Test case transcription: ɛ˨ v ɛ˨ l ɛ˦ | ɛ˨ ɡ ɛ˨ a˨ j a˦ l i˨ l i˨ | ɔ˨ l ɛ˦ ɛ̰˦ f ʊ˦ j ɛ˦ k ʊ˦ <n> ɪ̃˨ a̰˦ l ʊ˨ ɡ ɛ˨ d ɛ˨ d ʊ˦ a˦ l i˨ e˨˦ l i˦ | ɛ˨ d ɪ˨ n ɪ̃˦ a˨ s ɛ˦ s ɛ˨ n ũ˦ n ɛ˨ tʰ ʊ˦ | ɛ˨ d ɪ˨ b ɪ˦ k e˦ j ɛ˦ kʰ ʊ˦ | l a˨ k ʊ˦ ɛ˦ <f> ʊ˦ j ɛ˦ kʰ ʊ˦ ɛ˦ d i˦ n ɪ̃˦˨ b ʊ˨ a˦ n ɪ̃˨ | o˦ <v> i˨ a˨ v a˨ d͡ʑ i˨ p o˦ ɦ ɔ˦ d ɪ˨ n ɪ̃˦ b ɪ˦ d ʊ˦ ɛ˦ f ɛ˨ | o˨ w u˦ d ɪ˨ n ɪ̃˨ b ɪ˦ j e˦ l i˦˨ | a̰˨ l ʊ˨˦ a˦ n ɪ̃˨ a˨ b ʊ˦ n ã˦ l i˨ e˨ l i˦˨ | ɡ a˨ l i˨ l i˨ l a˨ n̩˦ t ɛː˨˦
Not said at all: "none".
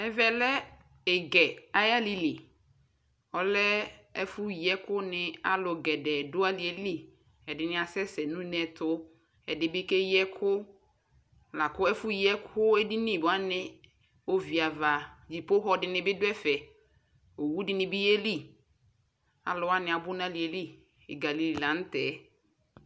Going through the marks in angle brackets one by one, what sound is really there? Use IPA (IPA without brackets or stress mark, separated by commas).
n, f, v